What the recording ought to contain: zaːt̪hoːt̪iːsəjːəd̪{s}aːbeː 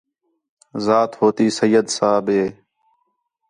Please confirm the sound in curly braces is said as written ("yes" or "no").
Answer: yes